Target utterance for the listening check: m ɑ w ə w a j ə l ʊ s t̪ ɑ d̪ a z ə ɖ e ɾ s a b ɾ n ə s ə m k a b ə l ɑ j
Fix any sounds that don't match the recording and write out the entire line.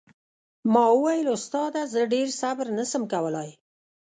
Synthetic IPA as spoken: m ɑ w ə w a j ə l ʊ s t̪ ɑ d̪ a z ə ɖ e ɾ s a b ɾ n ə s ə m k a w ə l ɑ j